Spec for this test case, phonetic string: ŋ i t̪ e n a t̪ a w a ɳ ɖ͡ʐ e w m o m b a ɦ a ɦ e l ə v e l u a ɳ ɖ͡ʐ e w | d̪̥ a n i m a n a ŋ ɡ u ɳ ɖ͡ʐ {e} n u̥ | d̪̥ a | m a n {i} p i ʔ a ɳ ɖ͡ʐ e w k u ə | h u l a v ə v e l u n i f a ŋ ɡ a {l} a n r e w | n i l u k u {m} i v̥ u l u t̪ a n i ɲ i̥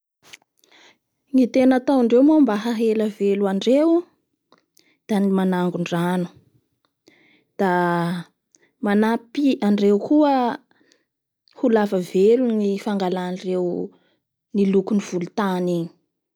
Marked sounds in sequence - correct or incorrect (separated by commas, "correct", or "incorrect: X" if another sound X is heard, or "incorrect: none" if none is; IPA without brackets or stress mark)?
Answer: incorrect: a, incorrect: a, correct, incorrect: n